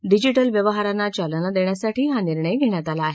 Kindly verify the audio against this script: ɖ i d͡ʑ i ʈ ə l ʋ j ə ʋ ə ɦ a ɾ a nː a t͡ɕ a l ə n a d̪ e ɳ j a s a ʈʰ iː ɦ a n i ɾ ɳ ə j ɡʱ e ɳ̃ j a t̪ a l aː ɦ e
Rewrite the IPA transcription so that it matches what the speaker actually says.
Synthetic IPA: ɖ i d͡ʑ i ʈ ə l ʋ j ə ʋ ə ɦ a ɾ a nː a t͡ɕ a l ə n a d̪ e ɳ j a s a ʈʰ iː ɦ a n i ɾ ɳ ə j ɡʱ e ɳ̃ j a t̪ a l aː ɦ e